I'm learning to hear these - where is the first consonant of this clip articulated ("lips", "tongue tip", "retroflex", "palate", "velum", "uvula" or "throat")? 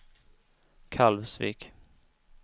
velum